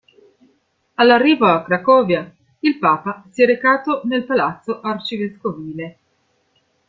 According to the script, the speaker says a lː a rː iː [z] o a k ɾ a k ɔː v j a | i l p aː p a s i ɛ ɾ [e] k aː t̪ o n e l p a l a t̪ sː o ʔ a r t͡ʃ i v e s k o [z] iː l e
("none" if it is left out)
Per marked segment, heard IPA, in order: v, e, v

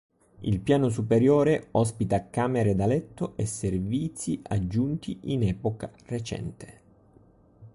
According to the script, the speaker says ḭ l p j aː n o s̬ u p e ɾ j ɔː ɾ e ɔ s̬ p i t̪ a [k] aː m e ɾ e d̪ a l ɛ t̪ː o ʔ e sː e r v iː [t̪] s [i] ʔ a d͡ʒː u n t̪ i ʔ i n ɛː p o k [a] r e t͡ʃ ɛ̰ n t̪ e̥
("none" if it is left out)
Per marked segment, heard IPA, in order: k, t̪, i, a

